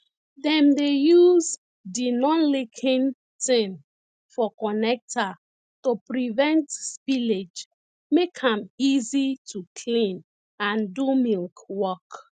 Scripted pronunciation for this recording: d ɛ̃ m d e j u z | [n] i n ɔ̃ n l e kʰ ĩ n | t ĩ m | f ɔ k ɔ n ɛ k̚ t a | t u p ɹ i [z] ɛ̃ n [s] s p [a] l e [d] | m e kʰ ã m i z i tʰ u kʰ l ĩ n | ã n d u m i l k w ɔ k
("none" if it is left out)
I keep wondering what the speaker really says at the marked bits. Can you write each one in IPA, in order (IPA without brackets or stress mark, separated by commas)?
d, v, t, i, d͡ʒ